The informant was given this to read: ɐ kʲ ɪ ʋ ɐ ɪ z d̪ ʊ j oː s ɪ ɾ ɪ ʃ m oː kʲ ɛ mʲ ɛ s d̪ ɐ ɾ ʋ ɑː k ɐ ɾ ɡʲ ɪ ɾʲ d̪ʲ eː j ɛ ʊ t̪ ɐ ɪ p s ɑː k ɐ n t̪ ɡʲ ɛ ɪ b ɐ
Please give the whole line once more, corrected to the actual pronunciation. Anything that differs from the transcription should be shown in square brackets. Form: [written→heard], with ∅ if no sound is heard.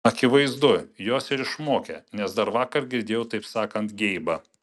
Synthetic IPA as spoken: ɐ kʲ ɪ ʋ ɐ ɪ z d̪ ʊ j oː s ɪ ɾ ɪ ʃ m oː kʲ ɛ [mʲ→nʲ] ɛ s d̪ ɐ ɾ ʋ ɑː k ɐ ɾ ɡʲ ɪ ɾʲ d̪ʲ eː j ɛ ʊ t̪ ɐ ɪ p s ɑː k ɐ n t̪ ɡʲ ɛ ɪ b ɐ